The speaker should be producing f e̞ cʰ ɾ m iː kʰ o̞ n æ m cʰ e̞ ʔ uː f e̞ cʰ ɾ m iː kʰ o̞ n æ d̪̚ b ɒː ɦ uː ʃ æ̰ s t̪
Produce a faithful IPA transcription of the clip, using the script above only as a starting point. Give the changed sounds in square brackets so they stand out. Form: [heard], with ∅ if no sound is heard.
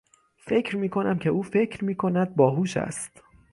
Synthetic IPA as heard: f e̞ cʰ ɾ m iː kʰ o̞ n æ m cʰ e̞ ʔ uː f e̞ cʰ ɾ m iː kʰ o̞ n æ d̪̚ b ɒː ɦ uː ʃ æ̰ s t̪